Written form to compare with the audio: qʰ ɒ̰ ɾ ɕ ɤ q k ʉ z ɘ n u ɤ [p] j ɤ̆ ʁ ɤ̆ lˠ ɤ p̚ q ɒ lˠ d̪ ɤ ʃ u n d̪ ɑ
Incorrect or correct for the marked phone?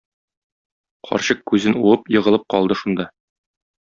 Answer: correct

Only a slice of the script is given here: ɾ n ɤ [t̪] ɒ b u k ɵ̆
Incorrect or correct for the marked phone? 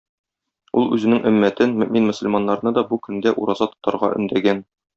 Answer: incorrect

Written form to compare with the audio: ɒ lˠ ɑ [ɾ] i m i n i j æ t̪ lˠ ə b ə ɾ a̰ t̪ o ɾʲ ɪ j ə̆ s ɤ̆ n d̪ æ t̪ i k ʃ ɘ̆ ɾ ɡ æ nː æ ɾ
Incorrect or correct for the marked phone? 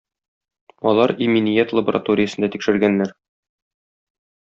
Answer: correct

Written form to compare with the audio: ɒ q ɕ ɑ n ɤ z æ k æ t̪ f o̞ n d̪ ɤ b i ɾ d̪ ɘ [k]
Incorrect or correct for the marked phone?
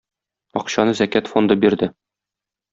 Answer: incorrect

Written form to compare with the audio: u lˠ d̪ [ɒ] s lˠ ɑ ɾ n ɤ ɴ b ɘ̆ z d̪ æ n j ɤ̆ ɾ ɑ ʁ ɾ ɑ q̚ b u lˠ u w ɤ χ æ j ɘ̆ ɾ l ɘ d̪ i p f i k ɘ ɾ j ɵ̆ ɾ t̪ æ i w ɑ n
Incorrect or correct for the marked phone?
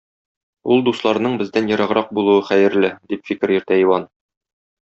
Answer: incorrect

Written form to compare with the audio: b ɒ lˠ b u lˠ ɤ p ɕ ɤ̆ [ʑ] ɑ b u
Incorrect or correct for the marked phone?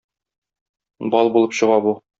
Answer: incorrect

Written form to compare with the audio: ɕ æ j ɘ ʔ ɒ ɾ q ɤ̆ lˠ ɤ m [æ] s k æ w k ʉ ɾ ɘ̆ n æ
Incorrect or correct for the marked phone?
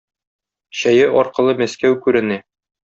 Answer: correct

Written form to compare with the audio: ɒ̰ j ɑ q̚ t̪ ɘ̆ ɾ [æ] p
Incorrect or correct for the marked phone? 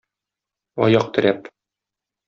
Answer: correct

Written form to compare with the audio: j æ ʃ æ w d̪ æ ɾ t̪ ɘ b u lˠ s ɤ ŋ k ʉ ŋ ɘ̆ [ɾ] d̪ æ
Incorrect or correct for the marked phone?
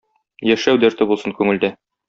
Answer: incorrect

